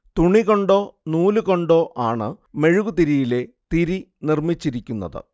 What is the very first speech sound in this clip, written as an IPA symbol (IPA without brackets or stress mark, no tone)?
t̪